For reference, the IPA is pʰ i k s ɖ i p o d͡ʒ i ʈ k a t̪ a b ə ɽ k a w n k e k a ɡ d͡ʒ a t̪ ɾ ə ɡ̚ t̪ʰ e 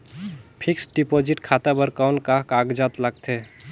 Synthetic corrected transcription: pʰ i k s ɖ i p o d͡ʒ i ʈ kʰ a t̪ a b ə ɾ k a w n k a k a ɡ d͡ʒ a t̪ l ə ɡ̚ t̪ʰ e

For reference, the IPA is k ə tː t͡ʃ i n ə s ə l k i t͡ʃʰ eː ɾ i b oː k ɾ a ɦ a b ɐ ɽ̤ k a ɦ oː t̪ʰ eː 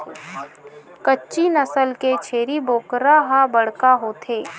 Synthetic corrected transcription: k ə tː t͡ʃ i n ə s ə l k e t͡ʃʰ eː ɾ i b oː k ɾ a ɦ a b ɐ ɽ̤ k a ɦ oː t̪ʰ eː

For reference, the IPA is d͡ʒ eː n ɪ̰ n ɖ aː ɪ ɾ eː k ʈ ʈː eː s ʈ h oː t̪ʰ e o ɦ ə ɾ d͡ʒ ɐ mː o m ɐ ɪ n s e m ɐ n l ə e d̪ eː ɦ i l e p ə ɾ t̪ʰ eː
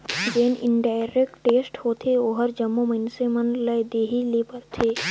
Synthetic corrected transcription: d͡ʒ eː n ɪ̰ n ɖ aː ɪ ɾ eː k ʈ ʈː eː s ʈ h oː t̪ʰ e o ɦ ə ɾ d͡ʒ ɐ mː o m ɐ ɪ n s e m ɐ n l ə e d̪ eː ɦ i l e p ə ɾ t̪ʰ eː

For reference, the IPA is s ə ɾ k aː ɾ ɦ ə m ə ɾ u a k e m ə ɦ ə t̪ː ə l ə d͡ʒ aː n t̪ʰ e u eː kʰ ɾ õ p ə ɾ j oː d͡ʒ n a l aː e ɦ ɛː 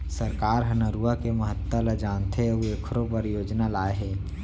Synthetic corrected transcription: s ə ɾ k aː ɾ ɦ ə n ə ɾ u a k e m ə ɦ ə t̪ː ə l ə d͡ʒ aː n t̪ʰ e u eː kʰ ɾ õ p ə ɾ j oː d͡ʒ n a l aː e ɦ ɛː

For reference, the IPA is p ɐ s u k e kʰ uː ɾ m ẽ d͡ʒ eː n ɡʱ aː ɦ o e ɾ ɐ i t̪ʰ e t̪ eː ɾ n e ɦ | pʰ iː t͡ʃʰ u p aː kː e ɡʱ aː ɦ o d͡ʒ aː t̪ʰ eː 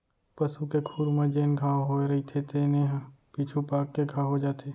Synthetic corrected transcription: p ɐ s u k e kʰ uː ɾ m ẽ d͡ʒ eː n ɡʱ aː ɦ o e ɾ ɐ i t̪ʰ e t̪ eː n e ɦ | p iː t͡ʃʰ u p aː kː e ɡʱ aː ɦ o d͡ʒ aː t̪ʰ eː

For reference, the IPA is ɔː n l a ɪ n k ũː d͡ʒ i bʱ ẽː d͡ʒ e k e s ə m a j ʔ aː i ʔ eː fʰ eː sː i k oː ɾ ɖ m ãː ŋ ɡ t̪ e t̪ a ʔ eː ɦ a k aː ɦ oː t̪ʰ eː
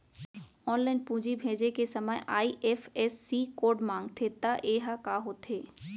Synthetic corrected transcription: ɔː n l a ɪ n p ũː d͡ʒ i bʱ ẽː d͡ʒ e k e s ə m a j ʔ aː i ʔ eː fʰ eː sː i k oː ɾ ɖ m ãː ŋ ɡ t̪ʰ e t̪ a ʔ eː ɦ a k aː ɦ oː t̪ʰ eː

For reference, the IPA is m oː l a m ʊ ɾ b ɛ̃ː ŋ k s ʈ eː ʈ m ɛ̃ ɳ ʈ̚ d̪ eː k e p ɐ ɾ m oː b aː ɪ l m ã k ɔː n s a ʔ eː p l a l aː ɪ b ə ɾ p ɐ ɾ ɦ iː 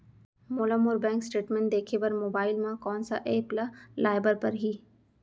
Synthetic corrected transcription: m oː l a m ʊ ɾ b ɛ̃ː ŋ k s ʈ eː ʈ m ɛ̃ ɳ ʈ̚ d̪ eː kʰ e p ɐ ɾ m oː b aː ɪ l m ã k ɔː n s a ʔ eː p l a l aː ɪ b ə ɾ p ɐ ɾ ɦ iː

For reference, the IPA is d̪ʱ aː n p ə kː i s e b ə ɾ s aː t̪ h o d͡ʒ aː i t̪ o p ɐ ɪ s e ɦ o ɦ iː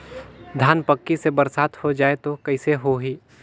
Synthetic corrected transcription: d̪ʱ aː n p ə kː i s e b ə ɾ s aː t̪ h o d͡ʒ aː e t̪ o k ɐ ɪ s e ɦ o ɦ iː

